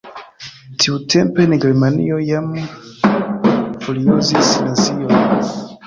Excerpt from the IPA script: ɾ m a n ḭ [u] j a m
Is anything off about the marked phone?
yes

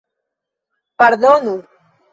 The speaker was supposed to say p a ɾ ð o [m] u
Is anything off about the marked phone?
yes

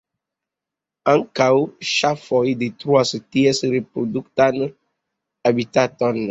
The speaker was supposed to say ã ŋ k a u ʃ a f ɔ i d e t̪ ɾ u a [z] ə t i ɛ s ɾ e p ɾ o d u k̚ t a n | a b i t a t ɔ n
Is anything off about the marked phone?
yes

